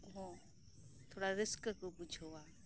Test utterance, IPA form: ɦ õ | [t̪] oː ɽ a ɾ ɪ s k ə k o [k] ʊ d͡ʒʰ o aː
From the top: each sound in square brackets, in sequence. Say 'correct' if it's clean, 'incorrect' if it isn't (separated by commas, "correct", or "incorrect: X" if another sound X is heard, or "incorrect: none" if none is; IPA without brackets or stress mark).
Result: incorrect: t̪ʰ, incorrect: p